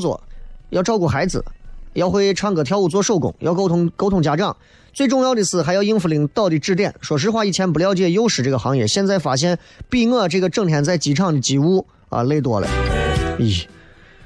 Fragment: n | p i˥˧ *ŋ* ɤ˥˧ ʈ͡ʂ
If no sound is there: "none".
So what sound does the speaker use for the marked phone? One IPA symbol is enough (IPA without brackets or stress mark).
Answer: ŋ